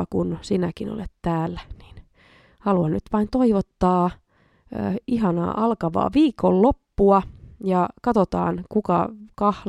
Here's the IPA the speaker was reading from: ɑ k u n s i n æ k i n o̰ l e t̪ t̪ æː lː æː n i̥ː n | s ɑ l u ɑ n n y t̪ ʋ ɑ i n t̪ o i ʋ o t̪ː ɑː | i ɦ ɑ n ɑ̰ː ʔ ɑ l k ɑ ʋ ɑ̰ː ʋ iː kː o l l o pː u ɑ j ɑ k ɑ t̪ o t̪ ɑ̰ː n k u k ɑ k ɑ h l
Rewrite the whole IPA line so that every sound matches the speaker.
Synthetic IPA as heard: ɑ k u n s i n æ k i n o̰ l e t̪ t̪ æː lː æ n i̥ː n | h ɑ l u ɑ n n y t̪ ʋ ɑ i n t̪ o i ʋ o t̪ː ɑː | i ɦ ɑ n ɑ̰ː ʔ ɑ l k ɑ ʋ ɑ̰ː ʋ iː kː o l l o pː u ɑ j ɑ k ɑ t̪ o t̪ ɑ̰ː n k u k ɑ k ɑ h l